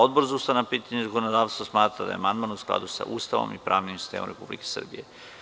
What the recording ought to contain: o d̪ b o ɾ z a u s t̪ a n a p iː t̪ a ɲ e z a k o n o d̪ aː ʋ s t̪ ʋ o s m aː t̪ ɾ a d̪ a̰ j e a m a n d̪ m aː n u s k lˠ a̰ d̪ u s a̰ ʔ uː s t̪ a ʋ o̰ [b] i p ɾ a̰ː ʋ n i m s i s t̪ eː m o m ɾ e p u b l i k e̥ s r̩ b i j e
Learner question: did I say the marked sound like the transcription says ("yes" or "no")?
no